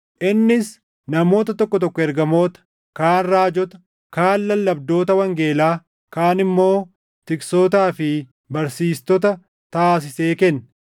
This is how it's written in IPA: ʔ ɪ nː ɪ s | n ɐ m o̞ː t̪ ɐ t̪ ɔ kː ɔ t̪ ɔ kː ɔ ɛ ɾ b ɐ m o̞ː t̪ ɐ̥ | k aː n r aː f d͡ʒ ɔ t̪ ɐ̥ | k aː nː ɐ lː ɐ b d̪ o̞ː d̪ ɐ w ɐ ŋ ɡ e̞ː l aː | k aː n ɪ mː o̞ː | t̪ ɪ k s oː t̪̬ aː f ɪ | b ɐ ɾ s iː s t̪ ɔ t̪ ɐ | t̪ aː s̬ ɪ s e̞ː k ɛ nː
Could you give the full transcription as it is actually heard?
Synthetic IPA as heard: ʔ ɪ nː ɪ s | n ɐ m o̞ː t̪ ɐ t̪ ɔ kː ɔ t̪ ɔ kː ɔ ɛ ɾ ɡ ɐ m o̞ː t̪ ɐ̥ | k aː n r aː d͡ʒ ɔ t̪ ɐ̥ | k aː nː ɐ lː ɐ b d̪ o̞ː t̪ ɐ w ɐ ŋ ɡ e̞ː l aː | k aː n ɪ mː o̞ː | t̪ ɪ k s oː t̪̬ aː f ɪ | b ɐ ɾ s iː s t̪ ɔ t̪ ɐ | t̪ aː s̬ ɪ s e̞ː k ɛ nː